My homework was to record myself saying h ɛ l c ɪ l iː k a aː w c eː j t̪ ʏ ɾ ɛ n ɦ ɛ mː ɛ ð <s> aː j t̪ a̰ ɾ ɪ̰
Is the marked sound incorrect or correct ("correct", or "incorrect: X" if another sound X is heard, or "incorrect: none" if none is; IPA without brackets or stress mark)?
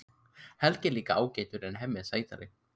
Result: correct